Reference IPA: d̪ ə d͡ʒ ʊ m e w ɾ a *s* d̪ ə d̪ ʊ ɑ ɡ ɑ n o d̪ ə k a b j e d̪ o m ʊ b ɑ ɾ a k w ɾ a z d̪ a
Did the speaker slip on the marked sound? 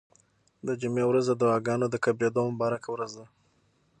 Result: yes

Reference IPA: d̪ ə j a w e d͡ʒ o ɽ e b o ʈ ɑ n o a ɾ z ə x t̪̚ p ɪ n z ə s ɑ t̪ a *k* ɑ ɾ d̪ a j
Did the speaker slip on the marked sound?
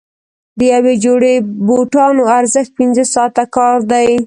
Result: no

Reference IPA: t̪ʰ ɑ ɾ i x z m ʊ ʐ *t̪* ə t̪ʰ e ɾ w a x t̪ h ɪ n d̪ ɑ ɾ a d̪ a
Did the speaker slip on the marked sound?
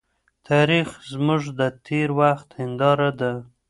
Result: yes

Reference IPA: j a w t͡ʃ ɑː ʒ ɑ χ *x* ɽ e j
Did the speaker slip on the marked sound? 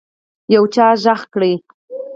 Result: yes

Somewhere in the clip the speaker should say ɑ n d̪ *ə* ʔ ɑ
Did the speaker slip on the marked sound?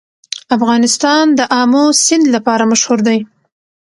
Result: no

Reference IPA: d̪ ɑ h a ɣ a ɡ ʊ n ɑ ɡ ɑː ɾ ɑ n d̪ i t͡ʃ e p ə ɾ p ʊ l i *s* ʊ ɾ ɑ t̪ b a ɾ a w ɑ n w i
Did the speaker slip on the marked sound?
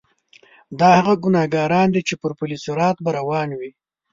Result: no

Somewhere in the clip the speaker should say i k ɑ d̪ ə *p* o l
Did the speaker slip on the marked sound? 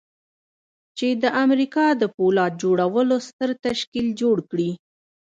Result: no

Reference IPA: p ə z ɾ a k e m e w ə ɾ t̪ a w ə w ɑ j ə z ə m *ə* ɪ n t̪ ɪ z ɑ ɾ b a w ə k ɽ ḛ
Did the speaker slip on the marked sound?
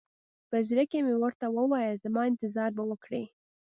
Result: yes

